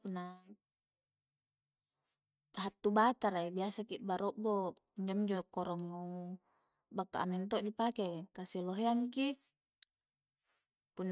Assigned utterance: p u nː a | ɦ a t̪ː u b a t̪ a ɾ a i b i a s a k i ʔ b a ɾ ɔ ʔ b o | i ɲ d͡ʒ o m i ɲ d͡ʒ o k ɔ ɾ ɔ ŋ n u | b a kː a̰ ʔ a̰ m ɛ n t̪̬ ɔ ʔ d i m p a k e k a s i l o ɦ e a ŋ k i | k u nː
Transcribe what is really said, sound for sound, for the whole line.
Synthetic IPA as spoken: p u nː a | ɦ a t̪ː u b a t̪ a ɾ a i b i a s a k i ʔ b a ɾ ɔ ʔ b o | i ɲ d͡ʒ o m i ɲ d͡ʒ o k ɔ ɾ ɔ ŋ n u | b a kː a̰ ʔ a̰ m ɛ n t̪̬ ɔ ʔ d i p a k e k a s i l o ɦ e a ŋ k i | p u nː